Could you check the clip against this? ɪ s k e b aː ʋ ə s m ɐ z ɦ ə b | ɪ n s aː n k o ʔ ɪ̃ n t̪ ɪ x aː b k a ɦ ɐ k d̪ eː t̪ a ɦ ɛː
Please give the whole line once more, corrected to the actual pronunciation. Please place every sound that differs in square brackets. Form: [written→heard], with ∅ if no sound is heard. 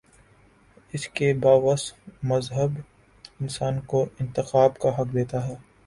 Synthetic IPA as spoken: ɪ s k e b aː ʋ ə s m ɐ z ɦ ə b | ɪ n s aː n k o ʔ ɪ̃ n t̪ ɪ x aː b k a ɦ ɐ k d̪ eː t̪ a ɦ ɛː